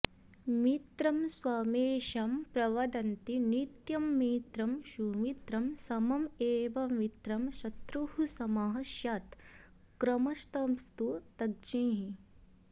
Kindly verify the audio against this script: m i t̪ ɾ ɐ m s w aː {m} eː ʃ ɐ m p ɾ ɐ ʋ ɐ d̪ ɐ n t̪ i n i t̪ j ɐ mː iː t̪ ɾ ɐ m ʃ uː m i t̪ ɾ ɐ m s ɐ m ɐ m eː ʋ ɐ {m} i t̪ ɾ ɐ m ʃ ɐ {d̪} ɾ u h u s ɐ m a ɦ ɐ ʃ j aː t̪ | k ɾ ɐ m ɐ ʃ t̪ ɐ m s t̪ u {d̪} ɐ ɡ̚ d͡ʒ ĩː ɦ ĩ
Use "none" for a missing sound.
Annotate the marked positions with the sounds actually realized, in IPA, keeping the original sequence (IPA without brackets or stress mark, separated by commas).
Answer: m, m, t̪, t̪